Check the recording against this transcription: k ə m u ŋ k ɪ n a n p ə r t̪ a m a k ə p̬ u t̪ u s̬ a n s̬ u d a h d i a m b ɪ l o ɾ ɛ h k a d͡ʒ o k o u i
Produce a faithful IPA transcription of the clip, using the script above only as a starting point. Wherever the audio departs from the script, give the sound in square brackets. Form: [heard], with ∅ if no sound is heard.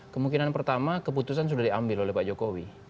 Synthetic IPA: k ə m u ŋ k [i] n a n p ə r t̪ a m a k ə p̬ u t̪ u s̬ a n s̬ u d a h d i a m b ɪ l o [l] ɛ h [p] a d͡ʒ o k o [w] i